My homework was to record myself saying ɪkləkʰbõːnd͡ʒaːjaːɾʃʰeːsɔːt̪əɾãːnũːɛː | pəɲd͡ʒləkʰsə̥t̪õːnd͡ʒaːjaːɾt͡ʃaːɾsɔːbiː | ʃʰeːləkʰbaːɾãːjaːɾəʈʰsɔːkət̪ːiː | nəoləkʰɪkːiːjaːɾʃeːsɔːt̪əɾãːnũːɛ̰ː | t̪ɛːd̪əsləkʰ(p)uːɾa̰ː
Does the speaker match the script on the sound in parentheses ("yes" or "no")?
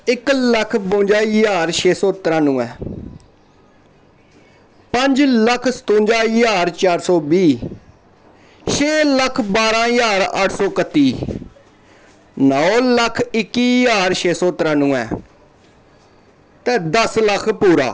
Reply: yes